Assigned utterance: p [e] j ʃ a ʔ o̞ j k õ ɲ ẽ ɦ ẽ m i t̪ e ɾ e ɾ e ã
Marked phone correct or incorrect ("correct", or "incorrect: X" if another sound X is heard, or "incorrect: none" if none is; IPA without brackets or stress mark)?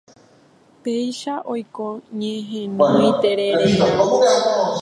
correct